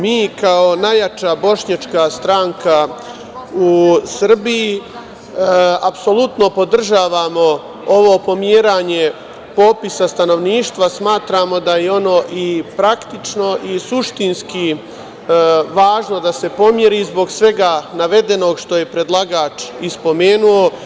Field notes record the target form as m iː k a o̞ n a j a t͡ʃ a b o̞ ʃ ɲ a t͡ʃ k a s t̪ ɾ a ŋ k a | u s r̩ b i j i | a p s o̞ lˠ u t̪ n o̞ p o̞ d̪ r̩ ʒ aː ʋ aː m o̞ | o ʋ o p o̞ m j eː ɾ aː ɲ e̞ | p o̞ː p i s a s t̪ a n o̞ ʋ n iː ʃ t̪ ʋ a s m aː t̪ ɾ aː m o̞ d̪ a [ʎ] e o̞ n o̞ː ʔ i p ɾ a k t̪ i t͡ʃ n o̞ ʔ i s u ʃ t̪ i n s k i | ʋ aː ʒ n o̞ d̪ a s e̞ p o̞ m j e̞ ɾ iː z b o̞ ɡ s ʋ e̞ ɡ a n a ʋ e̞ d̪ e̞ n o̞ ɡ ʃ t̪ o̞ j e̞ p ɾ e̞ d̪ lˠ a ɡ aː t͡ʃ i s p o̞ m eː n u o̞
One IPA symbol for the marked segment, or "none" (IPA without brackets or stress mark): j